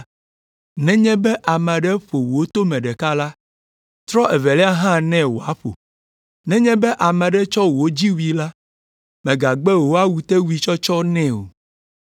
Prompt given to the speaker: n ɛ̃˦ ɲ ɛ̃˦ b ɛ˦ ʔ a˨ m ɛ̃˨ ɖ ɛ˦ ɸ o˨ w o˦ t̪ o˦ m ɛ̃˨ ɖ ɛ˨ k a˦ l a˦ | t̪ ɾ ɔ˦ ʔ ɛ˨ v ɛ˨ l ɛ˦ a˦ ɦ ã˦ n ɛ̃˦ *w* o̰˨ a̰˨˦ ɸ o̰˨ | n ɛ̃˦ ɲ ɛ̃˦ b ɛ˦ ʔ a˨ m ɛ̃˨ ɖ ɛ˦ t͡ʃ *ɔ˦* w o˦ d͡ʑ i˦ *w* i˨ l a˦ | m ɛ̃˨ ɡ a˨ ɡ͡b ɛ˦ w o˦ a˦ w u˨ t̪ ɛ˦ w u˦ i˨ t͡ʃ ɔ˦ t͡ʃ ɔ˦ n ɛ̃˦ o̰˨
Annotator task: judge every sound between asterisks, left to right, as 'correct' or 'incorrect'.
correct, correct, correct

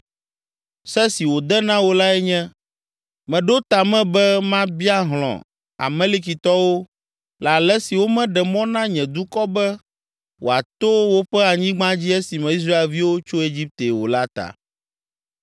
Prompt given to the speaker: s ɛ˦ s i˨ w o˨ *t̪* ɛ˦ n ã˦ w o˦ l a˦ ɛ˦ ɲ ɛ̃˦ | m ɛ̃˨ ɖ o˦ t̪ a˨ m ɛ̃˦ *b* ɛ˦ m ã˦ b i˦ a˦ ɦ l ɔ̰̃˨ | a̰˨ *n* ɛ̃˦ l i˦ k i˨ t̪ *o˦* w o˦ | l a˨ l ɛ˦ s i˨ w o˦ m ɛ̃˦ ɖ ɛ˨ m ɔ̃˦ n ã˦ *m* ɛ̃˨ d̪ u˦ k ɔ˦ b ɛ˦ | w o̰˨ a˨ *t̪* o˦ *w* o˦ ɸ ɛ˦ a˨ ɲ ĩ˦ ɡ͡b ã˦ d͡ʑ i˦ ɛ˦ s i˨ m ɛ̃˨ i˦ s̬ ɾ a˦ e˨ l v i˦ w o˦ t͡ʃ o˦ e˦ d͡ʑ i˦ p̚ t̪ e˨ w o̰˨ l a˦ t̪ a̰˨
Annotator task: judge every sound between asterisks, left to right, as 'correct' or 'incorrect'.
incorrect: d̪, correct, incorrect: m, incorrect: ɔ˦, incorrect: ɲ, correct, correct

